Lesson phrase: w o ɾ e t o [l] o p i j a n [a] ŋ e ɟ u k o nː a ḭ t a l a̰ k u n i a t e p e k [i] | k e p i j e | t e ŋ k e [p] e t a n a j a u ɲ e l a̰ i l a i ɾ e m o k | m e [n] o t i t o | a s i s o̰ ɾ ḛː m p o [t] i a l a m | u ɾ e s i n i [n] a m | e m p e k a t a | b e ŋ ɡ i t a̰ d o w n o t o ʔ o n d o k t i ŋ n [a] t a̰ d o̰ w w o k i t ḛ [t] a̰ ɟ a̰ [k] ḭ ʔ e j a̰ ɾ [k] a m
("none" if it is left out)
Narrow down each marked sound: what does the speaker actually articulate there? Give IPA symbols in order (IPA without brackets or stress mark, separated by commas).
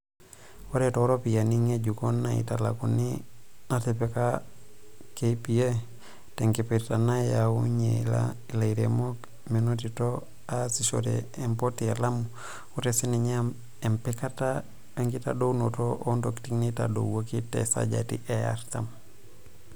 ɾ, i, a, p, n, t, ɲ, i, s, t, t